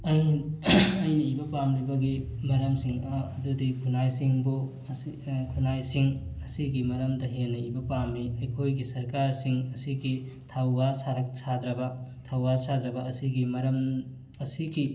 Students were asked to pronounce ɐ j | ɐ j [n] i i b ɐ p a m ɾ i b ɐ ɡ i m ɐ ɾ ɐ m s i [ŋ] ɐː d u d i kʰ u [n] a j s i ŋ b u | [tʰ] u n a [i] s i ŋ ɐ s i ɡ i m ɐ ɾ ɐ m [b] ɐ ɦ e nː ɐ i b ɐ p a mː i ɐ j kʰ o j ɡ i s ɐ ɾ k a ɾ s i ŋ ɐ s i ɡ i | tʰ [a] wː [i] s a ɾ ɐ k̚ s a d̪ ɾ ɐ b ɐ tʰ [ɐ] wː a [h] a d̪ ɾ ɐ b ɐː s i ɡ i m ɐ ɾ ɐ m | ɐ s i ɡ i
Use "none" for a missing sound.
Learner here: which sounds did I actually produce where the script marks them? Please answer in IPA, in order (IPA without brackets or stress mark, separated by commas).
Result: n, ŋ, n, kʰ, j, d, a, a, a, s